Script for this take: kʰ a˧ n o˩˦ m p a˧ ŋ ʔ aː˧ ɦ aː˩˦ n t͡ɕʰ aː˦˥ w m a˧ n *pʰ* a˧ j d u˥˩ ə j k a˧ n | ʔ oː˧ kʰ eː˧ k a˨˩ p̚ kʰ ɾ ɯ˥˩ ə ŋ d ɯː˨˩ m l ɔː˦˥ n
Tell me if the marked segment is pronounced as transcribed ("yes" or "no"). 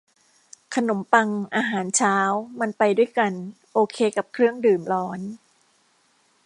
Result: no